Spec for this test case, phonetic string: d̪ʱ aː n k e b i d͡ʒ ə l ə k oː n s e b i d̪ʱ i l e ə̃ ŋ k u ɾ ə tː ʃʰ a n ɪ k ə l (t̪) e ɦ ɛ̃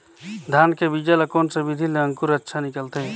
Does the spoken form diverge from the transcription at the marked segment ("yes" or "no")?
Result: no